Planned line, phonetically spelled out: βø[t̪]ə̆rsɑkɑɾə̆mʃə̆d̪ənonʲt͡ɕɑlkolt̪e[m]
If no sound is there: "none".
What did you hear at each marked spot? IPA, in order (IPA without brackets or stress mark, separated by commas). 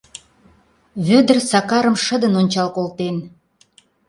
d̪, n